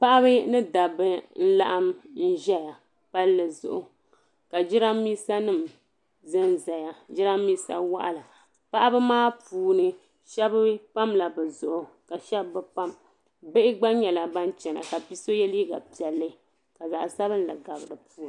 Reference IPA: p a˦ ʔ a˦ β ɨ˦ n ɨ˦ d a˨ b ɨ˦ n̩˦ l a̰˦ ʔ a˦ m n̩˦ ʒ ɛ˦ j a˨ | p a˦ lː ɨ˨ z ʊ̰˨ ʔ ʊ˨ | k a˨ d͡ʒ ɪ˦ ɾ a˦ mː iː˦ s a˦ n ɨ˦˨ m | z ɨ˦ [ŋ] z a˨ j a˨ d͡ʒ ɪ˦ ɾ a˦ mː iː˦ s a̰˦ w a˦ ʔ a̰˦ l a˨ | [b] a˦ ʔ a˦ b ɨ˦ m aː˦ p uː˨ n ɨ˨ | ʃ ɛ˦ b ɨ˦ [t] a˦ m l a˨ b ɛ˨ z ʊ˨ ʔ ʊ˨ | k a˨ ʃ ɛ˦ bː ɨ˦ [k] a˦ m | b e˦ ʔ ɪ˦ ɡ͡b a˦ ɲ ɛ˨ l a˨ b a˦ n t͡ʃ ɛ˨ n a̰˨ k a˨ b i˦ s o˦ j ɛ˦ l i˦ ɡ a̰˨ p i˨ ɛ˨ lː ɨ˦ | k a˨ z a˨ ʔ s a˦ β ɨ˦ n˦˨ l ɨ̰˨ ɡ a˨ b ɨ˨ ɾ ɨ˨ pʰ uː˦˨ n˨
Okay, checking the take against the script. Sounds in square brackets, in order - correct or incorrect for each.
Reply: incorrect: n, incorrect: p, incorrect: p, incorrect: p

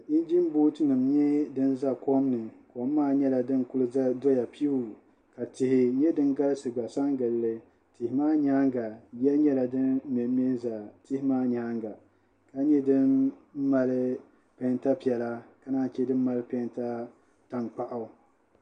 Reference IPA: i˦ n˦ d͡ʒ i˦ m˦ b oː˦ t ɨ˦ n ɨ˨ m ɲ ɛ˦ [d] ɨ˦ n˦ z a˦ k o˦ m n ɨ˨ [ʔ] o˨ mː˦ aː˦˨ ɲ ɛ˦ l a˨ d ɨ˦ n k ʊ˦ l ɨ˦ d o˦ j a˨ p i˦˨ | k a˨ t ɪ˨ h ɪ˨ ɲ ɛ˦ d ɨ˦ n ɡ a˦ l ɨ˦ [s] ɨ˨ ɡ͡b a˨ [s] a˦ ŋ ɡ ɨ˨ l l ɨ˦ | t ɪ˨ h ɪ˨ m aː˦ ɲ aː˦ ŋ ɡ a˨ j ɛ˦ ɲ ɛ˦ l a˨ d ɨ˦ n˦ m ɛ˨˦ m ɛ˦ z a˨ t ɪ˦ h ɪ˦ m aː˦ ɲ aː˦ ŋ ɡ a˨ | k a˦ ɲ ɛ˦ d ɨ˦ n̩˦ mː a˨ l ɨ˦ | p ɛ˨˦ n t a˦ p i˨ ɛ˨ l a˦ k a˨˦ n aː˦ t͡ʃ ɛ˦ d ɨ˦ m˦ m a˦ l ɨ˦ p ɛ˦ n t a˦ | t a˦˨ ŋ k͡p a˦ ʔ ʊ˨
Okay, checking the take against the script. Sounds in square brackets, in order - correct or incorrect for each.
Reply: correct, incorrect: k, correct, correct

